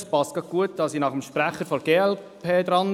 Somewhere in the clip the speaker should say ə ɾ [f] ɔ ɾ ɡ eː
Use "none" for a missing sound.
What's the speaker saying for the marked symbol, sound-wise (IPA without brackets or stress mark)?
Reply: f